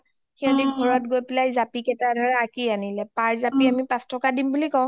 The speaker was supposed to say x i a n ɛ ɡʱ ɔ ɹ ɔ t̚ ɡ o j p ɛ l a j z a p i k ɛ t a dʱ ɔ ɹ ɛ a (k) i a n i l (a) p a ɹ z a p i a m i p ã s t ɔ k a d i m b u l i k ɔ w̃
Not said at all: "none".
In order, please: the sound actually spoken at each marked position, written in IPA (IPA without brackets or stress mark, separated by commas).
k, ɛ